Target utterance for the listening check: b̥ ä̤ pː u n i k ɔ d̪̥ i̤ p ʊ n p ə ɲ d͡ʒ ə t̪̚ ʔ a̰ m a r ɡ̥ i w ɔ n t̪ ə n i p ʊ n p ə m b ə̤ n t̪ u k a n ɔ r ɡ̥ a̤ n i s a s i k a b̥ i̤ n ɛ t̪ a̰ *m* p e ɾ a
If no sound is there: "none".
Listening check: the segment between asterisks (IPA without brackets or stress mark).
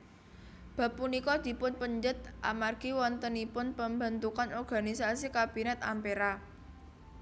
m